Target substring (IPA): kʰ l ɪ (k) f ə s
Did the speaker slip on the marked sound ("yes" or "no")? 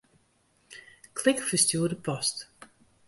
no